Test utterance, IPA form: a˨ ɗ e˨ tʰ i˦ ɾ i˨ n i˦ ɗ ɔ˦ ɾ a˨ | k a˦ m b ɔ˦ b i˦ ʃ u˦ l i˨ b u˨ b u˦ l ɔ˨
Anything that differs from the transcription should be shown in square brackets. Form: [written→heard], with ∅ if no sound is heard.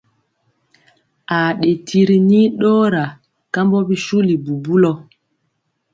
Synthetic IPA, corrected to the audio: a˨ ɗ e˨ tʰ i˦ ɾ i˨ n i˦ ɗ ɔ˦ ɾ a˨ | k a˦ m b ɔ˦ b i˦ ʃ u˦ l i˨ b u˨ b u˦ l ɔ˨